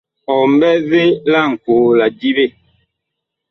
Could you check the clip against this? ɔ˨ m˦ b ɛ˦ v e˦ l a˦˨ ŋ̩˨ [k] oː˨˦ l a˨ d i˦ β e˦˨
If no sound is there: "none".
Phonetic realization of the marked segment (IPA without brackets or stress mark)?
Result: k